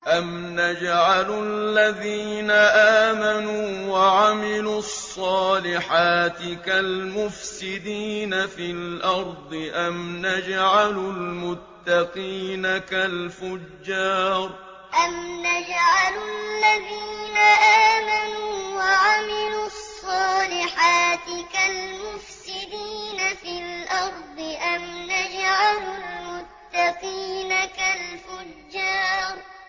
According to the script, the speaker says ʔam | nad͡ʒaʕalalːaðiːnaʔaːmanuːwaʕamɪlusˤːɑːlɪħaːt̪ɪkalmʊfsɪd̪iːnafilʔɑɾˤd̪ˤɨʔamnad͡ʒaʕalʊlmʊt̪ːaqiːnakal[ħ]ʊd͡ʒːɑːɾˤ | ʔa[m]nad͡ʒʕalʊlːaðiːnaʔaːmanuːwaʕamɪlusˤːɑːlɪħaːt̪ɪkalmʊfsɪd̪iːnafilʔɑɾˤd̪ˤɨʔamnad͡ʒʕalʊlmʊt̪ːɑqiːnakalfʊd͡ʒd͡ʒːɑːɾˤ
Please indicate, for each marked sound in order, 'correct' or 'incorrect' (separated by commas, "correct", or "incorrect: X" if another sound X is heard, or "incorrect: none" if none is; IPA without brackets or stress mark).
incorrect: f, correct